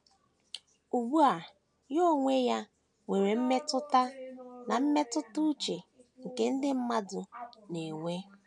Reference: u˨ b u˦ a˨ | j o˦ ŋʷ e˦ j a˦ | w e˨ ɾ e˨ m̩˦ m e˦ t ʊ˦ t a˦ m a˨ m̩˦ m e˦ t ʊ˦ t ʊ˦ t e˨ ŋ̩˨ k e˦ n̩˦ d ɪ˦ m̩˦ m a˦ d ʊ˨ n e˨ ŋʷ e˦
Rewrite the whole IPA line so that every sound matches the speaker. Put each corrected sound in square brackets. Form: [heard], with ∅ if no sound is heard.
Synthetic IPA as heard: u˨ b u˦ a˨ | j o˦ ŋʷ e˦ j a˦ | w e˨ ɾ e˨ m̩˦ m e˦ t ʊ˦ t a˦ [n] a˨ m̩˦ m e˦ t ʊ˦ t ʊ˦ [t͡ʃ] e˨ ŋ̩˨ k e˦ n̩˦ d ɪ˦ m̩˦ m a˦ d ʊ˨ n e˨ ŋʷ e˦